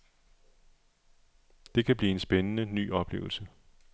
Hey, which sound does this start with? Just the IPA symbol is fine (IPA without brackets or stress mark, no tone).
d̥